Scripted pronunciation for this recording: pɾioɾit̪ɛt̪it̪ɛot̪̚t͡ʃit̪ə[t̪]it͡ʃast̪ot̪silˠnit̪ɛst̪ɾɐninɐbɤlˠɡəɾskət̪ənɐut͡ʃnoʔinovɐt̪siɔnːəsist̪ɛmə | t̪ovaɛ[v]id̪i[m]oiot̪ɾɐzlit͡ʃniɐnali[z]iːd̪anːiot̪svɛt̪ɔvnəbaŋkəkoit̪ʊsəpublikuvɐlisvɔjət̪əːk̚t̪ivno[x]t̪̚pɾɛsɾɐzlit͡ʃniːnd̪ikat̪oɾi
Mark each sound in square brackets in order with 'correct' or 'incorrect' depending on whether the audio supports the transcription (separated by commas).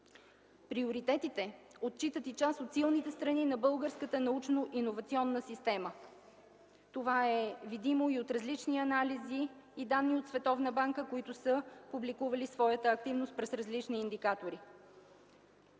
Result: correct, correct, correct, correct, incorrect